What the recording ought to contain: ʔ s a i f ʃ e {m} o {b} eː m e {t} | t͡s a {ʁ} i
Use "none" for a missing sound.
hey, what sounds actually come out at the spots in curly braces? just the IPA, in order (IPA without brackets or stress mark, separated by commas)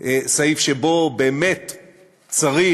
b, b, t, ʁ